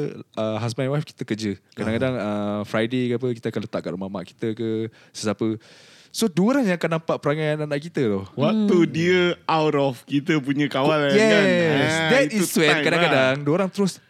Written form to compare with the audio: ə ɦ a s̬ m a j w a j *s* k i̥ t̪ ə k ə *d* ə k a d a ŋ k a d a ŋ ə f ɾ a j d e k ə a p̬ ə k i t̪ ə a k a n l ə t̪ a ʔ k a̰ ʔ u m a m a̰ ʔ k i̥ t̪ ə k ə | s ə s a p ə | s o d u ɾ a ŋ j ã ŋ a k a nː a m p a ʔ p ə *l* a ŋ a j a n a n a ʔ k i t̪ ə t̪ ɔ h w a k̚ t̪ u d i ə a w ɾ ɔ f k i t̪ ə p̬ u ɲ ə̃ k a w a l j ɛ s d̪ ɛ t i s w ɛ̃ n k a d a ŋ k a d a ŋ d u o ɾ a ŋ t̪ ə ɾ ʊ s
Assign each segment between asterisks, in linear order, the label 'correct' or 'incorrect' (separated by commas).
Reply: incorrect, incorrect, incorrect